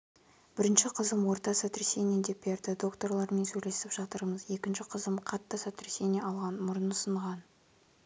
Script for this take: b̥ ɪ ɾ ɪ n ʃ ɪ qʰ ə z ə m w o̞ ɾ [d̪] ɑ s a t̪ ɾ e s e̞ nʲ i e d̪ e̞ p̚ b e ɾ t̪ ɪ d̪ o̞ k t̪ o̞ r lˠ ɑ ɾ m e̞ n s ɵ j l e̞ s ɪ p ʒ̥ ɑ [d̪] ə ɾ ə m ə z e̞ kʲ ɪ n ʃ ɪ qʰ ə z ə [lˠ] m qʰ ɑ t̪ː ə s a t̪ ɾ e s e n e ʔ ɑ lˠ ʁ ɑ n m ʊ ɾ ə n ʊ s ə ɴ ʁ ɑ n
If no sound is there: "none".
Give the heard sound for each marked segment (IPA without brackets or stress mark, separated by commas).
t̪, t̪, none